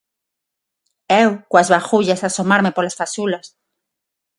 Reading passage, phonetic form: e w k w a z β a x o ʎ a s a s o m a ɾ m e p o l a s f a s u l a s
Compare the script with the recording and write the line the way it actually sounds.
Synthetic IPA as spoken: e w k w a z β a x u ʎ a s a s o m a ɾ m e p o l a s f a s u l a s